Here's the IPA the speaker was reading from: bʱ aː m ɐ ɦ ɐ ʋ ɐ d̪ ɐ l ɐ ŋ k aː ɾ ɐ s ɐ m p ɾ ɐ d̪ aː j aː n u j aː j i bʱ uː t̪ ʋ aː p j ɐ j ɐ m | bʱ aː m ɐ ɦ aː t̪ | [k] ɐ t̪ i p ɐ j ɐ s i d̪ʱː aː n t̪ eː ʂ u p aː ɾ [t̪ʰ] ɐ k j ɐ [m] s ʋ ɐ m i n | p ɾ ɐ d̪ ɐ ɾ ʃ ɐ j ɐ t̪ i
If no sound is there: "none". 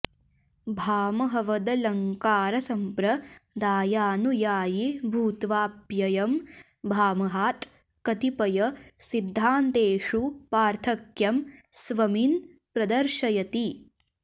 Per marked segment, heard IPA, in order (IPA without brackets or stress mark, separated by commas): k, t̪ʰ, m